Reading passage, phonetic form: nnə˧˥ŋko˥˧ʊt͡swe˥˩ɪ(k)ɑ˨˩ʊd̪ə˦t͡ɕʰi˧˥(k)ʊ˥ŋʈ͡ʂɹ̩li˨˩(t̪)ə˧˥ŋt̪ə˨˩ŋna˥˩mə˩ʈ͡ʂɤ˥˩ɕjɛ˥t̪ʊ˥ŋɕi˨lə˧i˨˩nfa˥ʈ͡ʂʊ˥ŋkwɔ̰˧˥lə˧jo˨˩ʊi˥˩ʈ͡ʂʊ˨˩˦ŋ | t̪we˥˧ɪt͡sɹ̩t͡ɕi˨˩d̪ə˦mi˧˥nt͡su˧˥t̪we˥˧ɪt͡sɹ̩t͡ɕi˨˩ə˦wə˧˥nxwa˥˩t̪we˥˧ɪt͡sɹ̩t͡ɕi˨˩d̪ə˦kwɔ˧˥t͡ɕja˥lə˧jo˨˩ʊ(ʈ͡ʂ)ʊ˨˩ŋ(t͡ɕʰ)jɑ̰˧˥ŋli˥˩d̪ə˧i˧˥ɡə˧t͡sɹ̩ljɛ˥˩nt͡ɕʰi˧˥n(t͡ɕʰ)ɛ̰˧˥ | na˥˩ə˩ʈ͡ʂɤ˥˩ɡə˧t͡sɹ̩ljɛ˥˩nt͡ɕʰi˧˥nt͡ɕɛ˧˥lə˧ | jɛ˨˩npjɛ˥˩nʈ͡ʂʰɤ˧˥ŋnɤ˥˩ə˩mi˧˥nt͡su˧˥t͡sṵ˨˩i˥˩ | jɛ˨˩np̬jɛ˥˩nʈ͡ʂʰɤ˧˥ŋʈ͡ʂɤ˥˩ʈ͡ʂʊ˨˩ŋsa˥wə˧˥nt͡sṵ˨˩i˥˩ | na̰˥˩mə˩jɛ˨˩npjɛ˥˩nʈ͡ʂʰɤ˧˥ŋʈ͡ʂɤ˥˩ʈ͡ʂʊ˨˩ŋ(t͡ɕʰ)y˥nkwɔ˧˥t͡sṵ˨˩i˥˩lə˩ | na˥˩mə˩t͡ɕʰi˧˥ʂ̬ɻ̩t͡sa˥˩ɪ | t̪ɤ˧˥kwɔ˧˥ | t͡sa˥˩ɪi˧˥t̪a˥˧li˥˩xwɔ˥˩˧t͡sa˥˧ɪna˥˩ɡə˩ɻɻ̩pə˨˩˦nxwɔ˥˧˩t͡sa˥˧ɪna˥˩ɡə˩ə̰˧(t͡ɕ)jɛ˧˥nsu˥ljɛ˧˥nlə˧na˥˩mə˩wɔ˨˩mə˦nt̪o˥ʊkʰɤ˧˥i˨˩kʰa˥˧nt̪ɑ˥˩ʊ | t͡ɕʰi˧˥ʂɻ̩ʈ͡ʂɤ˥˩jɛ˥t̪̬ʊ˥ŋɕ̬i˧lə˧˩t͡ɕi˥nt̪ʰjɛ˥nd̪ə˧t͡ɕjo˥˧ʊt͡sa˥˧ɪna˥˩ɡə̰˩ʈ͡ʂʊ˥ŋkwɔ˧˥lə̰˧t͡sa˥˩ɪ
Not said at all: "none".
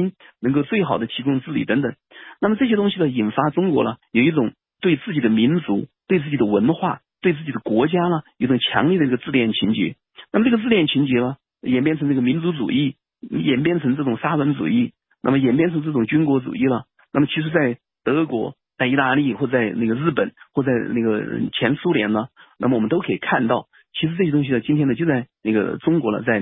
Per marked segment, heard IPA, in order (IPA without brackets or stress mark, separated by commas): x, k, t̪, ʈ͡ʂ, t͡ɕʰ, t͡ɕ, t͡ɕ, t͡ɕʰ